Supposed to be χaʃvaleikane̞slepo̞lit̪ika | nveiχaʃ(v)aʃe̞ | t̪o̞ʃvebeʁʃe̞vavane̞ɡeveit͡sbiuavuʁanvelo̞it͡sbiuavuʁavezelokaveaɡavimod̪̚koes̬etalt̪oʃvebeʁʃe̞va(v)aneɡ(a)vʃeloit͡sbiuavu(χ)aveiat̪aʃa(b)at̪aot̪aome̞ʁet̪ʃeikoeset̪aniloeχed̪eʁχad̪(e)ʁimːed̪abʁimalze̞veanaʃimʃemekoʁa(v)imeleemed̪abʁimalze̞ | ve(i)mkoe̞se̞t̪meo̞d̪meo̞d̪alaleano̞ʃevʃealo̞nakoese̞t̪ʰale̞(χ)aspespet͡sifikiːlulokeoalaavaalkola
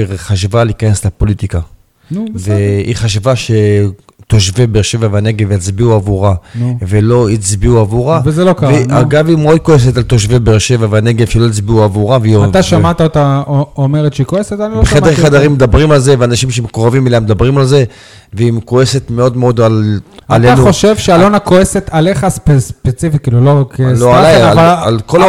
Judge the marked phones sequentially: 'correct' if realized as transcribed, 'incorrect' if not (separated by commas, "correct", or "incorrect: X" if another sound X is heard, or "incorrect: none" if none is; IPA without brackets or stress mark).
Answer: correct, correct, incorrect: e, incorrect: ʁ, incorrect: m, incorrect: a, correct, correct, correct